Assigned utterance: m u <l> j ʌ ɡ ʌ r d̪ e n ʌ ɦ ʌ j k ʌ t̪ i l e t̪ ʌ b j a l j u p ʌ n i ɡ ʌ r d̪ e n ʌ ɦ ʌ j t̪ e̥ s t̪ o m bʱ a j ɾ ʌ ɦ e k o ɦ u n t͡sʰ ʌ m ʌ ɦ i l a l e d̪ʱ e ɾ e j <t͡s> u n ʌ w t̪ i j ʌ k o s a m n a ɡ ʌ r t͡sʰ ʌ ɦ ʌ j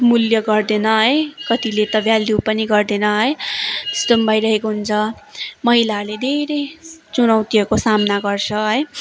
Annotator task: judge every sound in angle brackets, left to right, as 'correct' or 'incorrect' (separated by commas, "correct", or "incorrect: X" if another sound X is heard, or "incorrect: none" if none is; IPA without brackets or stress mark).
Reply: correct, correct